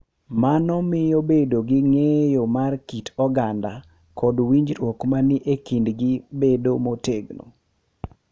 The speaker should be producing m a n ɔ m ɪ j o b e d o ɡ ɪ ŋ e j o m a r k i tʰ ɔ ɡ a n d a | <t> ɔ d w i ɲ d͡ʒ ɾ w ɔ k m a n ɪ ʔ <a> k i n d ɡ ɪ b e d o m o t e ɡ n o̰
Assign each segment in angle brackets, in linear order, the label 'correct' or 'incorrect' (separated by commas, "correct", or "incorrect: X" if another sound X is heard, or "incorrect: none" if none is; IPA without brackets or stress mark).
incorrect: k, incorrect: e